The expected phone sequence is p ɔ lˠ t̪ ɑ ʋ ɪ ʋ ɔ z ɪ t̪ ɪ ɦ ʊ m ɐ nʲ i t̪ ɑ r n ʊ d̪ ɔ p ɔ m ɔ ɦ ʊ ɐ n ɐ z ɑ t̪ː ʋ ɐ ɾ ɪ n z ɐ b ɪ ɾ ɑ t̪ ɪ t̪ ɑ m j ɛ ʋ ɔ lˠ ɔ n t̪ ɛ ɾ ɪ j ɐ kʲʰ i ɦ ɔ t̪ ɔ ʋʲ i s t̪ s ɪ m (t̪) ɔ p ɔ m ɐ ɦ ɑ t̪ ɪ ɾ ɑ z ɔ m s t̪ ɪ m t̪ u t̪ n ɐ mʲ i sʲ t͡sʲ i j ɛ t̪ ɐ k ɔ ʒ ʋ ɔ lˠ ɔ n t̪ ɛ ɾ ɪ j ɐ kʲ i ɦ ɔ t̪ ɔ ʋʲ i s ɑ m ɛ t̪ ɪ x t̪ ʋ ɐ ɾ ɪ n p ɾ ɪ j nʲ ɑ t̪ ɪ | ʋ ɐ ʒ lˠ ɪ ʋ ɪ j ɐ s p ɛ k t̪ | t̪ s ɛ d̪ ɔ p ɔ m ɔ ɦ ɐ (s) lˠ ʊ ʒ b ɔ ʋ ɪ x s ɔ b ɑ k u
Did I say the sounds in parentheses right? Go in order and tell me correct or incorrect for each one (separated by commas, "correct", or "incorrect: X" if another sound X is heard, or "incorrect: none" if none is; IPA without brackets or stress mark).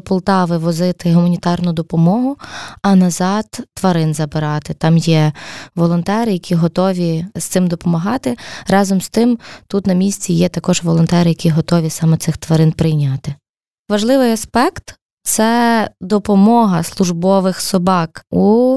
incorrect: d̪, correct